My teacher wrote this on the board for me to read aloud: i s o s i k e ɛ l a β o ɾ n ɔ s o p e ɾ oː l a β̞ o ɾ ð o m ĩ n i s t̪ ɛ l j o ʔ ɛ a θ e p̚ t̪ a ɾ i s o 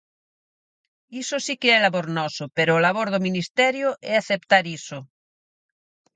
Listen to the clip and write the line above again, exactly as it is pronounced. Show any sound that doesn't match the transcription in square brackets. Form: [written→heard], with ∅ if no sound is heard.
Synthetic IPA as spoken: i s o s i k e ɛ l a β o ɾ n ɔ s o p e ɾ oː l a β̞ o ɾ ð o m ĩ n i s t̪ ɛ [l→ɾ] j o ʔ ɛ a θ e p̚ t̪ a ɾ i s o